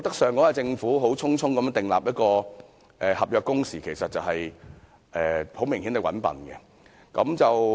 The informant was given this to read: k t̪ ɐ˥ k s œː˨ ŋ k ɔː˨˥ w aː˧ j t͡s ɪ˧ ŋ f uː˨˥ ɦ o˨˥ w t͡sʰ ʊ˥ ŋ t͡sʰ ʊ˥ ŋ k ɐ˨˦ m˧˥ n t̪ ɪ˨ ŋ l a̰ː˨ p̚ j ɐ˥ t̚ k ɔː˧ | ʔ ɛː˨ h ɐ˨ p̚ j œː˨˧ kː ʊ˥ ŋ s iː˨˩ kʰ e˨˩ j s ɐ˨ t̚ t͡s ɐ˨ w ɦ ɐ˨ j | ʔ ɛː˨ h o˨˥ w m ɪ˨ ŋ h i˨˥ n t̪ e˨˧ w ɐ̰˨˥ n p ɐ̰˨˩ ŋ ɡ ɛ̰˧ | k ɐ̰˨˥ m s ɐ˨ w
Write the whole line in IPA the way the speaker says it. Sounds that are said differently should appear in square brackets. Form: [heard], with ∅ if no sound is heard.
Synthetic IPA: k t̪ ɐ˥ k s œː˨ ŋ k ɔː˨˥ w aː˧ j t͡s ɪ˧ ŋ f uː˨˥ ɦ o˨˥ w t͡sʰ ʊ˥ ŋ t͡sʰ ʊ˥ ŋ k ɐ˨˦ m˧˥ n t̪ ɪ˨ ŋ l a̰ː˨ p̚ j ɐ˥ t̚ k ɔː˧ | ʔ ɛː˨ h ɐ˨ p̚ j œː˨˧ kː ʊ˥ ŋ s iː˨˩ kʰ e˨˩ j s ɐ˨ t̚ t͡s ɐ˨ w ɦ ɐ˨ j | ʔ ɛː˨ h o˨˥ w m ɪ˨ ŋ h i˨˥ n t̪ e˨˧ w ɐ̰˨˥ n p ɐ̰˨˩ [n] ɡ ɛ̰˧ | k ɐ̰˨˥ m [t͡s] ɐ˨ w

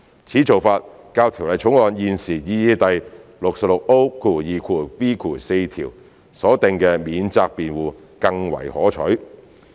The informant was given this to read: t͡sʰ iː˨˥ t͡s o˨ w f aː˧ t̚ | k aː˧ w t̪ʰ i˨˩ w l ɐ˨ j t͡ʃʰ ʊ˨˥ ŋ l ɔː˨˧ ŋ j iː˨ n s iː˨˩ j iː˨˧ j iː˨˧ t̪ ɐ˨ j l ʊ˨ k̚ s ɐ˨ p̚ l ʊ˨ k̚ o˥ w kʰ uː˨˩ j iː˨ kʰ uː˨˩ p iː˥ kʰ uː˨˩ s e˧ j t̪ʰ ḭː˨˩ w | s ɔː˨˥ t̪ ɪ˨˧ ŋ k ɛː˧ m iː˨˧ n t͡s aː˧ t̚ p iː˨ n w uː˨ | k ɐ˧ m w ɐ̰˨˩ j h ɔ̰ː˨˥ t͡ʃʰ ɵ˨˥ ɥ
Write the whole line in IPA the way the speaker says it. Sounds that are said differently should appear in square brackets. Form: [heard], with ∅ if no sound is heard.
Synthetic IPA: t͡sʰ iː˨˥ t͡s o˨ w f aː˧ t̚ | k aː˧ w t̪ʰ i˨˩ w l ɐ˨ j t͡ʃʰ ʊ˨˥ ŋ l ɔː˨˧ [n] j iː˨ n s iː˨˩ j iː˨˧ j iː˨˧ t̪ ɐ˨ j l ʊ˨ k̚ s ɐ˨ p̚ l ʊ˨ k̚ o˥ w kʰ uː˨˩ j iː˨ kʰ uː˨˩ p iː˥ kʰ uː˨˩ s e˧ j t̪ʰ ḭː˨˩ w | s ɔː˨˥ t̪ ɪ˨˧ ŋ k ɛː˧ m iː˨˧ n t͡s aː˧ [k̚] p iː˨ n w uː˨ | k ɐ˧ [ŋ] w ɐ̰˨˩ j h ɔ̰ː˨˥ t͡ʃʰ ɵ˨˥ ɥ

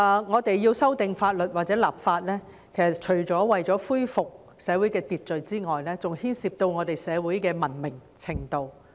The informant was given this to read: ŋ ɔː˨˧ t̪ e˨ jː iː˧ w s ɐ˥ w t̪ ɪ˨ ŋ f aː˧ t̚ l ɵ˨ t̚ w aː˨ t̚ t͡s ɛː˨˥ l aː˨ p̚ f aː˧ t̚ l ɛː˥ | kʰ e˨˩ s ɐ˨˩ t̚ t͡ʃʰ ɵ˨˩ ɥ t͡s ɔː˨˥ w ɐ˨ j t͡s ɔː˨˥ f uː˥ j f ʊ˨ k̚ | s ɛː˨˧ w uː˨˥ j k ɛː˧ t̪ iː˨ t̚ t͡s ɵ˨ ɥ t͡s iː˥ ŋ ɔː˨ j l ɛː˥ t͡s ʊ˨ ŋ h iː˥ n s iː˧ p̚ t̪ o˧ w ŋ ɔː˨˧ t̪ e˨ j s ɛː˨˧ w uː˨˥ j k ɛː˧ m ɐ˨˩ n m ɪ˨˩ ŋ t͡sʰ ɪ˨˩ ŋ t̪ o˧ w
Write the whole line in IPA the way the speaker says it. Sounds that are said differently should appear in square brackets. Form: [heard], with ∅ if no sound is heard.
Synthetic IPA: ŋ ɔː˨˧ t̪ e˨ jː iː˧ w s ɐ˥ w t̪ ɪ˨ ŋ f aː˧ t̚ l ɵ˨ t̚ w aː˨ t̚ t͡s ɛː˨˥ l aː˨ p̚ f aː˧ t̚ l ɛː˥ | kʰ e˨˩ s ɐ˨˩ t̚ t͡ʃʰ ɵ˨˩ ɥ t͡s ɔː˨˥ w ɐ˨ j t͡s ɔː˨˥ f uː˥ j f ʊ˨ k̚ | s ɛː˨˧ w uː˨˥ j k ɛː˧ t̪ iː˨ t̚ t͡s ɵ˨ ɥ t͡s iː˥ ŋ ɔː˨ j l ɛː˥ t͡s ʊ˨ ŋ h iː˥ n s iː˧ p̚ t̪ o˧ w ŋ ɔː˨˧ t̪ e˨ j s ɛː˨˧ w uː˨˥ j k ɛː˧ m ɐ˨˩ n m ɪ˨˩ ŋ t͡sʰ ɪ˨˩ ŋ t̪ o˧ w

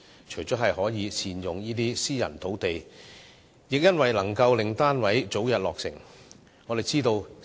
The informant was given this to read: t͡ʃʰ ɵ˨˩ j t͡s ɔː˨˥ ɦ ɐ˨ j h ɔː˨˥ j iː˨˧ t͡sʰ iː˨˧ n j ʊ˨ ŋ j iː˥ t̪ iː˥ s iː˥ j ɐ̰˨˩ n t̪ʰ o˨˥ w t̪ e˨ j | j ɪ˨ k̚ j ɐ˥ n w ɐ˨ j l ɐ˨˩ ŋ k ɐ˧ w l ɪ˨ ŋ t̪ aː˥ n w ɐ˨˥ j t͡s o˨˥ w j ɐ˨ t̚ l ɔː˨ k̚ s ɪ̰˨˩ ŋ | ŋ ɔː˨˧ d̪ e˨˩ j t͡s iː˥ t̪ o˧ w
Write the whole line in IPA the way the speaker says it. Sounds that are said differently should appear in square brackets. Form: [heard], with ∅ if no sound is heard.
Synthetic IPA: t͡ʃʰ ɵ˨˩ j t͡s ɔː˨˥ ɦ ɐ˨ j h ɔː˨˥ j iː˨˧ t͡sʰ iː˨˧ n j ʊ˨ ŋ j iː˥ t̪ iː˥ s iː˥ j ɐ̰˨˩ n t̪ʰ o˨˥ w t̪ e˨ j | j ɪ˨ k̚ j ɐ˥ n w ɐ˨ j l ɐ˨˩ ŋ k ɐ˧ w l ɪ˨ ŋ t̪ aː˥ n w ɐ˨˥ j t͡s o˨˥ w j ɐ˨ t̚ l ɔː˨ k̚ s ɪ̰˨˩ ŋ | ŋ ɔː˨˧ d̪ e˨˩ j t͡s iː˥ t̪ o˧ w

